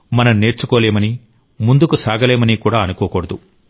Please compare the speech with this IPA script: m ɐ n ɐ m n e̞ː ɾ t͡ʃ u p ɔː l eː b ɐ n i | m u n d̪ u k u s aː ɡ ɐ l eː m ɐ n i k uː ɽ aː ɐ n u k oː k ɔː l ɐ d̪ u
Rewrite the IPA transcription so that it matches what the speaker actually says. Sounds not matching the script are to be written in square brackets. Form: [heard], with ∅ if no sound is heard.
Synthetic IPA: m ɐ n ɐ m n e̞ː ɾ t͡ʃ u [k] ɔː l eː [m] ɐ n i | m u n d̪ u k u s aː ɡ ɐ l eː m ɐ n i k uː ɽ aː ɐ n u k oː k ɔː [ɽ] ɐ d̪ u

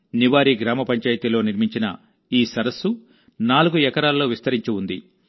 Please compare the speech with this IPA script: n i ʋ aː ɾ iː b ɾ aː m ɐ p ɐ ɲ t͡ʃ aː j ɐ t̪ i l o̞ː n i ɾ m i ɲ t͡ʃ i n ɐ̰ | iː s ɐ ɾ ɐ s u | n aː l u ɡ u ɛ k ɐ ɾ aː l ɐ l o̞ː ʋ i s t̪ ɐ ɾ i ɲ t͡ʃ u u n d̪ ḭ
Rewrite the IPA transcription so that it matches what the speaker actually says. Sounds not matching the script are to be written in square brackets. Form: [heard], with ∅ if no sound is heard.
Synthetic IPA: n i ʋ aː ɾ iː [ɡ] ɾ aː m ɐ p ɐ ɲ t͡ʃ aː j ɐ t̪ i l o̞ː n i ɾ m i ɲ t͡ʃ i n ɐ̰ | iː s ɐ ɾ ɐ s u | n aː l u ɡ u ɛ k ɐ ɾ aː l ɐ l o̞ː ʋ i s t̪ ɐ ɾ i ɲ t͡ʃ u u n d̪ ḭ

